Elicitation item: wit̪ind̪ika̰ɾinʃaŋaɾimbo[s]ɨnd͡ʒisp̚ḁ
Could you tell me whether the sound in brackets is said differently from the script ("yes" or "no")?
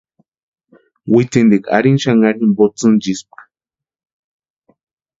yes